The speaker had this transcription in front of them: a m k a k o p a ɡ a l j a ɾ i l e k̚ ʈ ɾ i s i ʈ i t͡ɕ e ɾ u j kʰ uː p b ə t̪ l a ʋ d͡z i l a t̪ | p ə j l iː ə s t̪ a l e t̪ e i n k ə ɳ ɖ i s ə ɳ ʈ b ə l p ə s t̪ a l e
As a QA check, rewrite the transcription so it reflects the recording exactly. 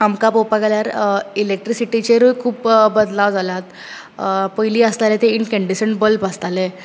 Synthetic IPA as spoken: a m k a p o p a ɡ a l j a ɾ i l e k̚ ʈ ɾ i s i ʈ i t͡ɕ e ɾ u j kʰ uː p b ə d̪ l a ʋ d͡z a l a t̪ | p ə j l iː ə s t̪ a l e t̪ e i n k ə ɳ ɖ i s ə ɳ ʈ b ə l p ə s t̪ a l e